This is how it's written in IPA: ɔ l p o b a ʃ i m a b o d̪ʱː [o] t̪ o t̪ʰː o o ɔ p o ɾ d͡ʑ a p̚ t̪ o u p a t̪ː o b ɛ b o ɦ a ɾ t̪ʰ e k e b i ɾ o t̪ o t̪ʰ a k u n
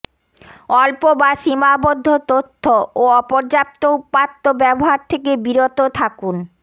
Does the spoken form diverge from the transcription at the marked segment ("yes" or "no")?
no